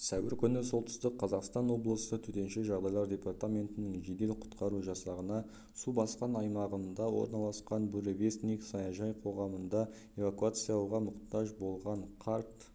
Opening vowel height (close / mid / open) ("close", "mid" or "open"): open